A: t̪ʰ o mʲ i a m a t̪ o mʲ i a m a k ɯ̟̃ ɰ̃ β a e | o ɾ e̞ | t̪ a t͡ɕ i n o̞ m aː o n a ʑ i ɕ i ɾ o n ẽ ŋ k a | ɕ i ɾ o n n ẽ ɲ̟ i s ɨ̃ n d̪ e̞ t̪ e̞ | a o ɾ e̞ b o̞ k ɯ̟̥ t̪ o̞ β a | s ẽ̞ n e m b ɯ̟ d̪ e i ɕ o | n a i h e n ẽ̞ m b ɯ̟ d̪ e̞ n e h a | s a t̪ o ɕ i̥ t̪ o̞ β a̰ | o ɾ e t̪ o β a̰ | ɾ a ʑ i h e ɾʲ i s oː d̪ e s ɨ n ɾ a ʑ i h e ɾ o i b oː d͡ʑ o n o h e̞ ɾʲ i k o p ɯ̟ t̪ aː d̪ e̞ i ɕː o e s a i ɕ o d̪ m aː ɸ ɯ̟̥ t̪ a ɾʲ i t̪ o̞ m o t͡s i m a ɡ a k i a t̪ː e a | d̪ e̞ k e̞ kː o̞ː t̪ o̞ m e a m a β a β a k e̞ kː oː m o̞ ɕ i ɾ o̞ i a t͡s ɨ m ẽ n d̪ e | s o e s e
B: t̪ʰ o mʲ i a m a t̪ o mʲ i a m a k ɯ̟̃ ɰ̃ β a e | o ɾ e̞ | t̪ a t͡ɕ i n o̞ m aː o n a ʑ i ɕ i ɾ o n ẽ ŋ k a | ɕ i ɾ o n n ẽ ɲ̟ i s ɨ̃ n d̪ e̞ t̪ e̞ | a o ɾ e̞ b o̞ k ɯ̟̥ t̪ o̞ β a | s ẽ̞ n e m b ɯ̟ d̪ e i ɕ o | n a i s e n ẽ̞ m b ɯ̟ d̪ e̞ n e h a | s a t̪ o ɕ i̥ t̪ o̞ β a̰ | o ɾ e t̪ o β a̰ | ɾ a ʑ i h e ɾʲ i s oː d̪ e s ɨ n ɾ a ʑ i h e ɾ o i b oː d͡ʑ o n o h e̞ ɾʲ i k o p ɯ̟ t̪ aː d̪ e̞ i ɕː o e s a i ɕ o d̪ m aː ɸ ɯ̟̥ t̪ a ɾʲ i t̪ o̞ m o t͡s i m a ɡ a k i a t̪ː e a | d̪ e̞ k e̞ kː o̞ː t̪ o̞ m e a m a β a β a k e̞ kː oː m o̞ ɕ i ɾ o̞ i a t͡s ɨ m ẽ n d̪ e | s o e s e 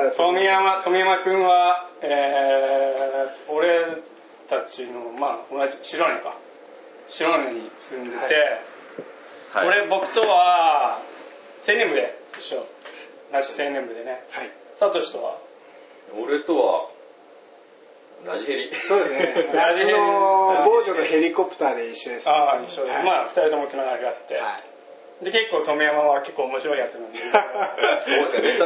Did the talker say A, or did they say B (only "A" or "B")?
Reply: B